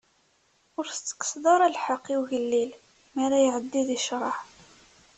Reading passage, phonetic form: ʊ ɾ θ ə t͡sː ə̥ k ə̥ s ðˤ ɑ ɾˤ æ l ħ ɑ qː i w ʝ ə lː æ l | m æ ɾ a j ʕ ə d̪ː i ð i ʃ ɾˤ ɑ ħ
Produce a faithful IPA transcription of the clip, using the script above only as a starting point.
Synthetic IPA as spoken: ʊ ɾ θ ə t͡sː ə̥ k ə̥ s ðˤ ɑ ɾˤ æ l ħ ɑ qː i w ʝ ə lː i l | m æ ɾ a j ʕ ə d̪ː i ð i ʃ ɾˤ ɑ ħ